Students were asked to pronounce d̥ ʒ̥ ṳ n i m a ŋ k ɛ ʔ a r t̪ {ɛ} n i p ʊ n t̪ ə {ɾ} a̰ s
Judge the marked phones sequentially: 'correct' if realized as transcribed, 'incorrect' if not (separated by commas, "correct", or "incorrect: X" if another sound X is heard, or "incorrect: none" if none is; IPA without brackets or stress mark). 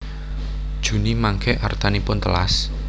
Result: incorrect: a, incorrect: l